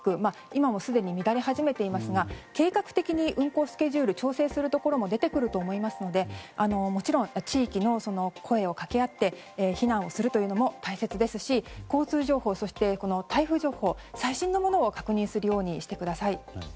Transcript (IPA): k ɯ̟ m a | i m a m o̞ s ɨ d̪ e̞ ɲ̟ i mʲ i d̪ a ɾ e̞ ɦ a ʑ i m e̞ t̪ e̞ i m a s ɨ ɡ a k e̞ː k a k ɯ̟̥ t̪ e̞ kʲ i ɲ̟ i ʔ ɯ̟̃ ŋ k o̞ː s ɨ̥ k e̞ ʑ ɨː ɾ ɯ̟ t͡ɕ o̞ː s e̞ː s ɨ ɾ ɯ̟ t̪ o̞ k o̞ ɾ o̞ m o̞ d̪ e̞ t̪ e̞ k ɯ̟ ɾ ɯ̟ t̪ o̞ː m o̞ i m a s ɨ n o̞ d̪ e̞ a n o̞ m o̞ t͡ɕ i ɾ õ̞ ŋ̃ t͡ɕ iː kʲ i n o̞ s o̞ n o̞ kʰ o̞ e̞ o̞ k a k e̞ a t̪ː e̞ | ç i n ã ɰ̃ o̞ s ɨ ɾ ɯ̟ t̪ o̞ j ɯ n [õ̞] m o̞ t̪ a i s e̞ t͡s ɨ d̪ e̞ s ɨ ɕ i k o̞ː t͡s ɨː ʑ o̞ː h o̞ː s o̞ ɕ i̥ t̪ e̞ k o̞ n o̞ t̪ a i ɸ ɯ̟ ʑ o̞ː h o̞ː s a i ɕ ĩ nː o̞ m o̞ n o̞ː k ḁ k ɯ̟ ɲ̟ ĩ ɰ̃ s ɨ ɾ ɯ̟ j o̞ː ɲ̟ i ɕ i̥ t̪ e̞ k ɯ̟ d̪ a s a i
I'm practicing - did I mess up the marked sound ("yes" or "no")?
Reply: yes